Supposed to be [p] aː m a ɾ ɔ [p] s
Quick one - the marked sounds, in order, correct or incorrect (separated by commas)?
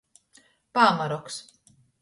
correct, incorrect